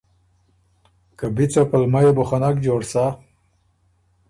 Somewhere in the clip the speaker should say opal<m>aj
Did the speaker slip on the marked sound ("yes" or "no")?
no